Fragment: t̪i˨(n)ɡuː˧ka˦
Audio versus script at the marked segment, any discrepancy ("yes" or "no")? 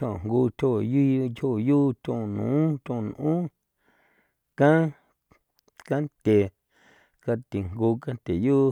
yes